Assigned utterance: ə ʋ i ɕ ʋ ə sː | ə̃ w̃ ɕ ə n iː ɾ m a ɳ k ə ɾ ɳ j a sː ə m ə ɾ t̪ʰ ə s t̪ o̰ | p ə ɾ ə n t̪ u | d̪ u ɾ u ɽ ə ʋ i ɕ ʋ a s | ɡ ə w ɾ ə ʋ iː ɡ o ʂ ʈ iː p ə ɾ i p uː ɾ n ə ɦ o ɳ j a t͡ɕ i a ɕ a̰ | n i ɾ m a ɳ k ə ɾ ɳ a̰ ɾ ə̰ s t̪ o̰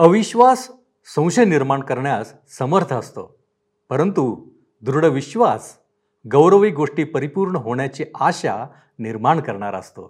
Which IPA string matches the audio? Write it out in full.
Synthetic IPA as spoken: ə ʋ i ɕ ʋ a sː | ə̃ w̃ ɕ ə n i ɾ m a ɳ k ə ɾ ɳ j a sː ə m ə ɾ t̪ʰ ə s t̪ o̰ | p ə ɾ ə n t̪ u | d̪ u ɾ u ɽ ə ʋ i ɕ ʋ a s | ɡ ə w ɾ ə ʋ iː ɡ o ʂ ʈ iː p ə ɾ i p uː ɾ ɳ ə ɦ o ɳ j a t͡ɕ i a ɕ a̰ | n i ɾ m a ɳ k ə ɾ ɳ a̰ ɾ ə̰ s t̪ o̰